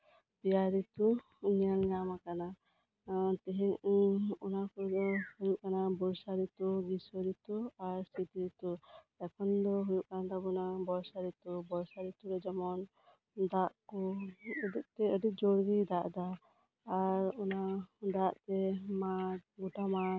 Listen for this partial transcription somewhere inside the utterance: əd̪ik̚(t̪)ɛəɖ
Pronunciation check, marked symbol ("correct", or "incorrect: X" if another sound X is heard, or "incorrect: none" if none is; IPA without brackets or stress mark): correct